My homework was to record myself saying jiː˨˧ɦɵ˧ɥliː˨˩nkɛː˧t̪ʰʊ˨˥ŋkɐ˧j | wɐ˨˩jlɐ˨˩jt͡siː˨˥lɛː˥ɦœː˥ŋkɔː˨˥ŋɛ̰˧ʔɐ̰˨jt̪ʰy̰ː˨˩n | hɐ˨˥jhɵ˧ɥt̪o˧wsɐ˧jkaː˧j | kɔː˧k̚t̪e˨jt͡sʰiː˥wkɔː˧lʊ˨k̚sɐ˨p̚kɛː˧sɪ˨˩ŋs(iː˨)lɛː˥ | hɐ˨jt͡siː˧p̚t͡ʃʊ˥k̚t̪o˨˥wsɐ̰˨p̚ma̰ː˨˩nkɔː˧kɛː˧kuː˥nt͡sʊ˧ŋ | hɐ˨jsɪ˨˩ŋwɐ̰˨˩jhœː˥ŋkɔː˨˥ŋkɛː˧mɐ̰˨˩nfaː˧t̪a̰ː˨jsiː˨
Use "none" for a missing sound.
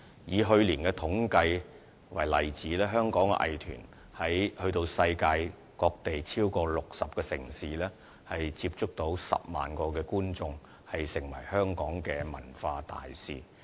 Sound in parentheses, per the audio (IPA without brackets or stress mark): iː˨